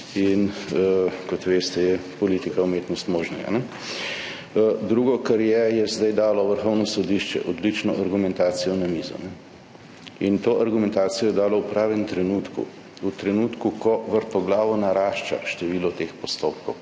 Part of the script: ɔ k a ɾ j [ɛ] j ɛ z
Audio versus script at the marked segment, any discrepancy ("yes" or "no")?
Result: no